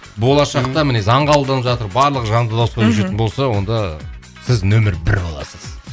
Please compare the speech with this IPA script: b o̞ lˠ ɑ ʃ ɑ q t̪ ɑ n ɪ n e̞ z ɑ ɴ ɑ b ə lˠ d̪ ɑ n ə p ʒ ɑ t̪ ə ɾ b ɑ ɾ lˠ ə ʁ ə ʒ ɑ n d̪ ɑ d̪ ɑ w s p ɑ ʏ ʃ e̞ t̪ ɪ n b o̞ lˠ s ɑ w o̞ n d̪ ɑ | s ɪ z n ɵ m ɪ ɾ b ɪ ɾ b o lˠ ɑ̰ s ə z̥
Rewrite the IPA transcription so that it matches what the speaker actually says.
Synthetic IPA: b o̞ lˠ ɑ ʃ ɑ q t̪ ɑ m ɪ n e̞ z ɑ ɴ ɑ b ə lˠ d̪ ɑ n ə p ʒ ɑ t̪ ə ɾ b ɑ ɾ lˠ ə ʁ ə ʒ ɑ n d̪ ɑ d̪ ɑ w s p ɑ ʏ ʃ e̞ t̪ ɪ n b o̞ lˠ s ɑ w o̞ n d̪ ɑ | s ɪ z n ɵ m ɪ ɾ b ɪ ɾ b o lˠ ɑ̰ s ə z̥